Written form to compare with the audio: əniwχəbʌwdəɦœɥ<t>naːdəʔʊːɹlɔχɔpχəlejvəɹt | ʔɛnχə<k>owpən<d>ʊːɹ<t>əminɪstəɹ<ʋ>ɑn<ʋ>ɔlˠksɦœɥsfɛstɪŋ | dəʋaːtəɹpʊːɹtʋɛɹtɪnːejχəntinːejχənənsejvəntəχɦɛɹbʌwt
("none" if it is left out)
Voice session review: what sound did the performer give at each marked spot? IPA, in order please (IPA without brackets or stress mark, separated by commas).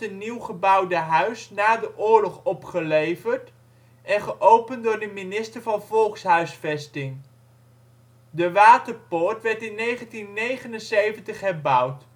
s, ʔ, d, d, v, v